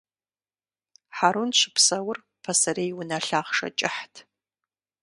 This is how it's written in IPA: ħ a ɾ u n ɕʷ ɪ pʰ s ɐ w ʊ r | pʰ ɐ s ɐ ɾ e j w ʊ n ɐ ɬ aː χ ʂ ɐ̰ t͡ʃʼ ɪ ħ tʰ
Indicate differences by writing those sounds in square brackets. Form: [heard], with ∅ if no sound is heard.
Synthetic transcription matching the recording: ħ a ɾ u n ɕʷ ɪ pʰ s ɐ w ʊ r | pʰ ɐ s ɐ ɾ e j w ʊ n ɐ ɬ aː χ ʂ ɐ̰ t͡ʃʼ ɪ ħ tʰ